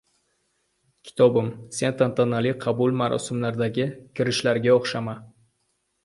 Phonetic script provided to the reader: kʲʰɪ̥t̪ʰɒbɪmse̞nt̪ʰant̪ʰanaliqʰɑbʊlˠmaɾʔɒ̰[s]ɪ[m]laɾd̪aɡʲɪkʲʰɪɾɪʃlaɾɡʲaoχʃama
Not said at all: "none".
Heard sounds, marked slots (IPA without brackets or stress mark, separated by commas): s, m